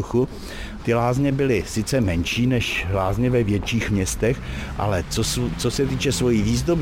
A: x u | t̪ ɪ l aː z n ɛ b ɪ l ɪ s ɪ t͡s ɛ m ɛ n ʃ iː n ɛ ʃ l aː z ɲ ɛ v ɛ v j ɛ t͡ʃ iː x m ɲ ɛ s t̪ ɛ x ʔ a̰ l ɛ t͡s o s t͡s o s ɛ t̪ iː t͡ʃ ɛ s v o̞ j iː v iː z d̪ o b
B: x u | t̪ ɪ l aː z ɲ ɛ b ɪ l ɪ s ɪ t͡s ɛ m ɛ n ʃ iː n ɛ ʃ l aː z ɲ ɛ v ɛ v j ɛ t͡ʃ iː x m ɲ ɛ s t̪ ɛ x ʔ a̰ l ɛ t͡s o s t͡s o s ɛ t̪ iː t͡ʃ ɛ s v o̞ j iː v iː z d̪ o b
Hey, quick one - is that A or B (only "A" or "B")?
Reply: B